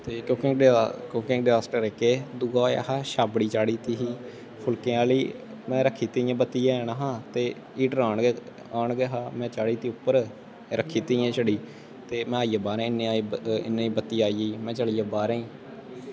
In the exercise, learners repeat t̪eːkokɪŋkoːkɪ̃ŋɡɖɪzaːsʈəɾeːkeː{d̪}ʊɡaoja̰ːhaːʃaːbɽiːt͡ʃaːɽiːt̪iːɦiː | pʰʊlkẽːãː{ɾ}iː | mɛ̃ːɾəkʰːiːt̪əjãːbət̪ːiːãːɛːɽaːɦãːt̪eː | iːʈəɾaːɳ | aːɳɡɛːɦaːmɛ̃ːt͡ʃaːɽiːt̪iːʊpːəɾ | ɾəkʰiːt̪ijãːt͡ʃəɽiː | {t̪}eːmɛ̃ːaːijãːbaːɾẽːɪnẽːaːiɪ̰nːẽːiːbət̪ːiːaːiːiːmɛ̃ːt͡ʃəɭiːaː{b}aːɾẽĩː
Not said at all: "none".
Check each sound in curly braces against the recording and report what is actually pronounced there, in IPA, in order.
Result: d̪, l, t̪, b

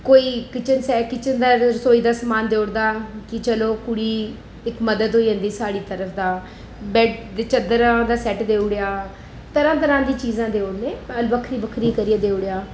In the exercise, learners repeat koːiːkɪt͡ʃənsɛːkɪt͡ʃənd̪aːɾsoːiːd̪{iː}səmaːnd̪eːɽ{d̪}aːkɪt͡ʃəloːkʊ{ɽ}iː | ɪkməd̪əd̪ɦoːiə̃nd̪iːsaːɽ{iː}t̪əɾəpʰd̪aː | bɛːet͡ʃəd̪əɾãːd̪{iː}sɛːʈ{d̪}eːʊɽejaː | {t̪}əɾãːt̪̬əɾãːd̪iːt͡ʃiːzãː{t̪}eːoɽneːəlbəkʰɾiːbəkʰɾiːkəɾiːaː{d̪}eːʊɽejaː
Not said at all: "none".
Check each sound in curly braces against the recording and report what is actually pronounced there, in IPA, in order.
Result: aː, d̪, ɽ, iː, aː, d̪, t̪, d̪, d̪

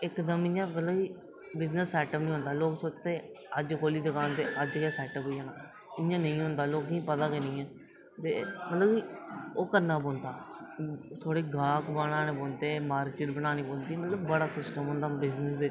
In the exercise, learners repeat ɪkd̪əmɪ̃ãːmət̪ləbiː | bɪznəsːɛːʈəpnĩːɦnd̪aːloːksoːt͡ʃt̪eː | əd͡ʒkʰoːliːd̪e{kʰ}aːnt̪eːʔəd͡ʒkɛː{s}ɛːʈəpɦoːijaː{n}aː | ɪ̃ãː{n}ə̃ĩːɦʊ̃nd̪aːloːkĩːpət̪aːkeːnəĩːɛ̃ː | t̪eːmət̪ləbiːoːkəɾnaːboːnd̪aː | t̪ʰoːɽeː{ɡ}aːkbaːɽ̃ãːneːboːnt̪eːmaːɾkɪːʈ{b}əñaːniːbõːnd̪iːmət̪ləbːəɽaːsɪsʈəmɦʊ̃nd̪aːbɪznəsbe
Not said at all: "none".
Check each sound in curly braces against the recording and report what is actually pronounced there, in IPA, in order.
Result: k, s, n, n, ɡ, b

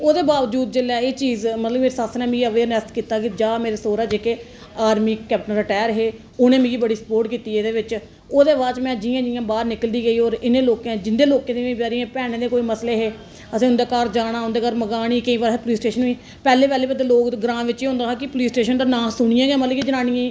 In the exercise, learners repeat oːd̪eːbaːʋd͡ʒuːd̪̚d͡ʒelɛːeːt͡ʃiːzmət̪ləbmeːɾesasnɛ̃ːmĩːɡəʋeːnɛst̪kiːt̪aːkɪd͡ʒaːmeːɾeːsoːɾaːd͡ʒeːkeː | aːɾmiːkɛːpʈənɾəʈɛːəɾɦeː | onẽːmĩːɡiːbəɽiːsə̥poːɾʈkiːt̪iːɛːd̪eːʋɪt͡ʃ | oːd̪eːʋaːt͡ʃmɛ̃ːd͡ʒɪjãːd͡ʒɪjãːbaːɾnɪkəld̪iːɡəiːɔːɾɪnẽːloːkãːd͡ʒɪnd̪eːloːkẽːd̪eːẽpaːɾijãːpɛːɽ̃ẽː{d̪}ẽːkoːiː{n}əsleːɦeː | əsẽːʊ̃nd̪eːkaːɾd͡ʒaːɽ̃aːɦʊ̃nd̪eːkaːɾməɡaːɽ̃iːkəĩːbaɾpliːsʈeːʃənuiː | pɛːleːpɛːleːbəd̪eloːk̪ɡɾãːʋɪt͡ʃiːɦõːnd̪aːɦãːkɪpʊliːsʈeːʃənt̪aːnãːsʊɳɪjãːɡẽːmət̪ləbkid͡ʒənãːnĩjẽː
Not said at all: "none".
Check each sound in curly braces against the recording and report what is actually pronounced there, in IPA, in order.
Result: d̪, m

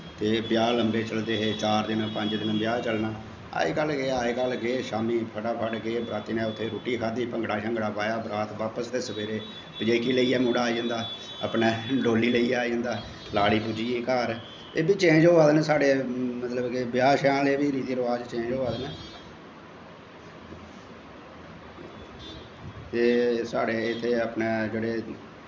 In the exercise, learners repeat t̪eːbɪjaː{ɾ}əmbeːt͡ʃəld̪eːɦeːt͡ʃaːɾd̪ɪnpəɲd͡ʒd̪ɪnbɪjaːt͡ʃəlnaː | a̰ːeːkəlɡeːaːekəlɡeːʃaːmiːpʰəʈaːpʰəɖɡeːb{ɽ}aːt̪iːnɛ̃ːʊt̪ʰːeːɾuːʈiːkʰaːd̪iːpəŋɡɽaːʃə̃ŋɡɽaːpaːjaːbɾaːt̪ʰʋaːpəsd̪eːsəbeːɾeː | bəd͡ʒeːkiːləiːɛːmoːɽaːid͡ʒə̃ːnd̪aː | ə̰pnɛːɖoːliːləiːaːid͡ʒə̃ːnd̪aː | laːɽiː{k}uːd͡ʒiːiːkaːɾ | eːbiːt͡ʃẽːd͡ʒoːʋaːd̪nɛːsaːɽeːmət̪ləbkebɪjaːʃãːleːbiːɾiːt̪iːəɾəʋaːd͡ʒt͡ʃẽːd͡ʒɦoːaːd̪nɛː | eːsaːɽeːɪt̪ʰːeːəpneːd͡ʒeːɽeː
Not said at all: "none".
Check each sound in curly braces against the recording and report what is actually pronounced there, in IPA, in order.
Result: l, ɾ, p

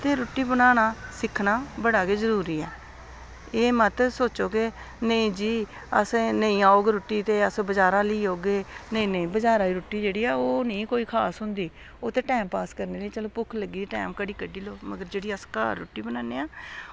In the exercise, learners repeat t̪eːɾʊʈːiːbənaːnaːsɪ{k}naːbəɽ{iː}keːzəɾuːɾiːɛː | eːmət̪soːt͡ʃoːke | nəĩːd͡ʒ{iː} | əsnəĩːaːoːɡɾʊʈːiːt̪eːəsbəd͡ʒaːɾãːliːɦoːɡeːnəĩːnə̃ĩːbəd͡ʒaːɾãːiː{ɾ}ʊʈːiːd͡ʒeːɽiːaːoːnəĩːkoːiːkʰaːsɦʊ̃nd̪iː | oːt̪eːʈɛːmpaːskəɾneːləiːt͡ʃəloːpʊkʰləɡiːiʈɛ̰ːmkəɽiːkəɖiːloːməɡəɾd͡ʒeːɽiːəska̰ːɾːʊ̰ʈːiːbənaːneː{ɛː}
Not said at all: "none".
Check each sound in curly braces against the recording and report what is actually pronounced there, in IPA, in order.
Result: kʰ, aː, iː, ɾ, aː

